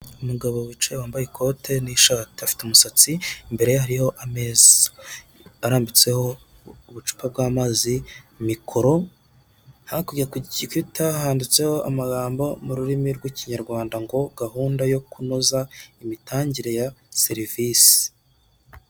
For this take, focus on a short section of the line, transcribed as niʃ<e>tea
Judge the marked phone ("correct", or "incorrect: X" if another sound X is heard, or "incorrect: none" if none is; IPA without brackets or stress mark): incorrect: a